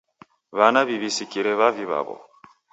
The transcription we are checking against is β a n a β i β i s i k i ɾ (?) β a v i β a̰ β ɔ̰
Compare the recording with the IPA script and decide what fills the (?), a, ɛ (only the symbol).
ɛ